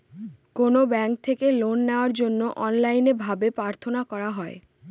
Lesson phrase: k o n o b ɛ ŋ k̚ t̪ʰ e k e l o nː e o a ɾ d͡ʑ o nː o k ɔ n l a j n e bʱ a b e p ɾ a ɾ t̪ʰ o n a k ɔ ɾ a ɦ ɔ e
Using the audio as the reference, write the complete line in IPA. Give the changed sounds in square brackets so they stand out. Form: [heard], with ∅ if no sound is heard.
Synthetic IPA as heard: k o n o b ɛ ŋ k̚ t̪ʰ e k e l o nː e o a ɾ d͡ʑ o nː o [ʔ] ɔ n l a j n e bʱ a b e p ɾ a ɾ t̪ʰ o n a k ɔ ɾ a ɦ ɔ e